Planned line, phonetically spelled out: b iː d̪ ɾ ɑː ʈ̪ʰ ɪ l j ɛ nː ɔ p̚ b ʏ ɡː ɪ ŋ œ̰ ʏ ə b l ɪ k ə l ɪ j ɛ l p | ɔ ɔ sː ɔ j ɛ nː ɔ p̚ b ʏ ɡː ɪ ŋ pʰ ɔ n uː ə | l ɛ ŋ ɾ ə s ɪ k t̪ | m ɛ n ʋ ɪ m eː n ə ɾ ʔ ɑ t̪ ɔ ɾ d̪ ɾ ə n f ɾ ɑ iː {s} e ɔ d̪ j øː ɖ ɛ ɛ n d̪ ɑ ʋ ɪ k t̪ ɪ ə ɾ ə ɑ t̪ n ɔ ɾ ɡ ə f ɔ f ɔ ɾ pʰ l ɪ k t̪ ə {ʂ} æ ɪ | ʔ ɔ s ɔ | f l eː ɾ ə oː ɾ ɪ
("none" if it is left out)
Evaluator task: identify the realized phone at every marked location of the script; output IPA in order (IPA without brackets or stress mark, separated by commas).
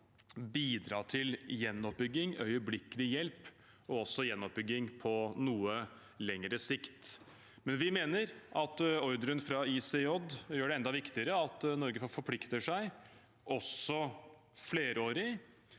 s, ʂ